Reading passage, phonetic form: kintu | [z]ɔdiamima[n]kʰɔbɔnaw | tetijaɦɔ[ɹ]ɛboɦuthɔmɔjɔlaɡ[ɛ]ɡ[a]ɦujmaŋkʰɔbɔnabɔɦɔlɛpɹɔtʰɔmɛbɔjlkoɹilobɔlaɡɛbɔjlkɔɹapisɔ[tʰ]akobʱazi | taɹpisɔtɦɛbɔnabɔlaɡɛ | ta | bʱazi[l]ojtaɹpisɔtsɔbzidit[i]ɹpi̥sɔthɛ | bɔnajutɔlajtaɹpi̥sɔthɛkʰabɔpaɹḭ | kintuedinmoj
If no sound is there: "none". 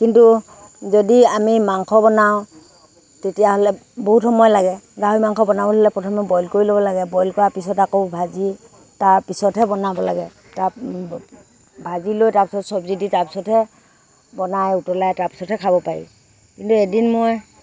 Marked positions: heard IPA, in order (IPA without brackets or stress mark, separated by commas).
z, ŋ, l, ɛ, a, t, l, a